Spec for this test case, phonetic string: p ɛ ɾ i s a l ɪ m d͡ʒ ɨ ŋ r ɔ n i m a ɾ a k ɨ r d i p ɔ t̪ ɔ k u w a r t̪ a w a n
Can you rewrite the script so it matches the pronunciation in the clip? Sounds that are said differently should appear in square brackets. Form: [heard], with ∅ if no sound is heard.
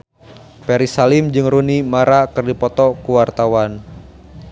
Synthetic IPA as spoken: p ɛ ɾ i s a l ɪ m d͡ʒ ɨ ŋ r [u] n i m a ɾ a k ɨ r d i p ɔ t̪ ɔ k u w a r t̪ a w a n